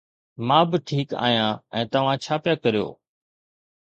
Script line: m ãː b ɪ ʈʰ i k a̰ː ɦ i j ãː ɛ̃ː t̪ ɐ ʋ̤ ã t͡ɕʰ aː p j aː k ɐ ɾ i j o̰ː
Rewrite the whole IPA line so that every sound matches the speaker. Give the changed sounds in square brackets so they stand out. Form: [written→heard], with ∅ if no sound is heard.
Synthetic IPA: m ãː b ɪ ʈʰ [i→iː] k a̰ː ɦ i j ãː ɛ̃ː t̪ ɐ ʋ̤ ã t͡ɕʰ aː p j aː k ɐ ɾ i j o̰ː